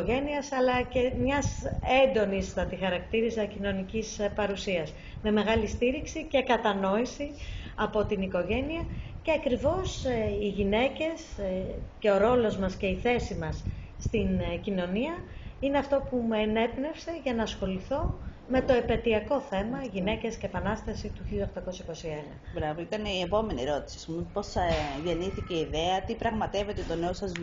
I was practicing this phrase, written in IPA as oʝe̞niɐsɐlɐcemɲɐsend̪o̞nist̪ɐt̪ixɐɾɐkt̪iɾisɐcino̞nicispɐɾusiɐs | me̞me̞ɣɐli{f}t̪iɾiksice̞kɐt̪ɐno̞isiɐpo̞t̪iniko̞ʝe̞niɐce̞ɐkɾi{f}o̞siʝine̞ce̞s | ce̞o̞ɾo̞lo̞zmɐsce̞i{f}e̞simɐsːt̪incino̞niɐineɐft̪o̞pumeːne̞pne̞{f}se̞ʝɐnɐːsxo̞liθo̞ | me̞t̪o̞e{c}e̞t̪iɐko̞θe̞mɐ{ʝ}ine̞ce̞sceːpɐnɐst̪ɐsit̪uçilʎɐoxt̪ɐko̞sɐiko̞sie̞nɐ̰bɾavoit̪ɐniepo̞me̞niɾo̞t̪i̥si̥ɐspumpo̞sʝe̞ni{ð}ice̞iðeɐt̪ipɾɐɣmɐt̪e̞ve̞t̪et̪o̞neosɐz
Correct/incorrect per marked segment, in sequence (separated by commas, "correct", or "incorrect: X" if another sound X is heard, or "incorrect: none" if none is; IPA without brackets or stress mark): incorrect: s, incorrect: v, incorrect: θ, correct, incorrect: p, correct, incorrect: θ